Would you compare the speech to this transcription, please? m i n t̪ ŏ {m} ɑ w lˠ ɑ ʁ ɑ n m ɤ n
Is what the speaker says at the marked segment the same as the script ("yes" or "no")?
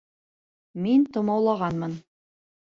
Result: yes